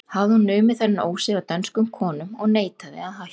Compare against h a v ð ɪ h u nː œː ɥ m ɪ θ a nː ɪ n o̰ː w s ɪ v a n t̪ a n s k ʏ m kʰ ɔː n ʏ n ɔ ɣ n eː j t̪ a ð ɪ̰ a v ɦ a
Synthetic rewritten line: h a v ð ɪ h u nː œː ɥ m ɪ θ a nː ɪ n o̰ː w s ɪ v a t̪ a n s k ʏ m kʰ ɔː n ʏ m ɔ ɣ n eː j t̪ a ð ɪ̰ a ð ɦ a